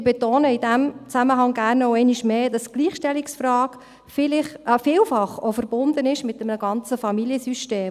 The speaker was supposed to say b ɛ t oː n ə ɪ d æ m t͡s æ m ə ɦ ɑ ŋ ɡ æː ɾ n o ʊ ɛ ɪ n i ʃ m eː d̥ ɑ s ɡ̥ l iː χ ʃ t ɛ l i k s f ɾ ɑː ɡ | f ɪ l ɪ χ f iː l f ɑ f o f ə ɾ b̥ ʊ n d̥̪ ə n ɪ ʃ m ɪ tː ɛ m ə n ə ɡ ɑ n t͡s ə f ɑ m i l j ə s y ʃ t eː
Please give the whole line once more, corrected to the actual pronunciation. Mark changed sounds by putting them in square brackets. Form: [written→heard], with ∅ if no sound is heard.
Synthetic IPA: b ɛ t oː n ə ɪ d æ m t͡s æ m ə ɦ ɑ ŋ ɡ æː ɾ n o ʊ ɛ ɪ n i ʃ m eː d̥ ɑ s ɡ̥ l iː χ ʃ t ɛ l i k s f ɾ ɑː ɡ | f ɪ l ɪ χ f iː l f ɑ [f→χ] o f ə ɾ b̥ ʊ n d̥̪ ə n ɪ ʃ m ɪ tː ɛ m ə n ə ɡ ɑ n t͡s ə f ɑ m i l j ə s y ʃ t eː